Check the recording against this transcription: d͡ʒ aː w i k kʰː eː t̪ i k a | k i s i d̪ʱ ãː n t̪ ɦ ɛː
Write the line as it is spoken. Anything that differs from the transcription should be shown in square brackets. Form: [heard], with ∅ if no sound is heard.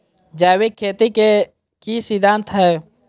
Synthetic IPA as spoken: d͡ʒ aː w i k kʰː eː t̪ i k [e] | k i s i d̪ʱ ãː n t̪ ɦ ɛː